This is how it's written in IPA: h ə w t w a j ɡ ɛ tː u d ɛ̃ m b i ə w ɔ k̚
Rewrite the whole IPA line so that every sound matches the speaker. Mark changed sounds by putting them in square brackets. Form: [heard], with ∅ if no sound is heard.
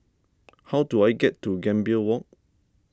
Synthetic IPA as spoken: h [a] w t [u] a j ɡ ɛ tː u [ɡ] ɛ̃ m b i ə w ɔ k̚